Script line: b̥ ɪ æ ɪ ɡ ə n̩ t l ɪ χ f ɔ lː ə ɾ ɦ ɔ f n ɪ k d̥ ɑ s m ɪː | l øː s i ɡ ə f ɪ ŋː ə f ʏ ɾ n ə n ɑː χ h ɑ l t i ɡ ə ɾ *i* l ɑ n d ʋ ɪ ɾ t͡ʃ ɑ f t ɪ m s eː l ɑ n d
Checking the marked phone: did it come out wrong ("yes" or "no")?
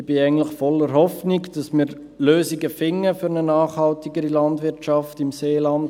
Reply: no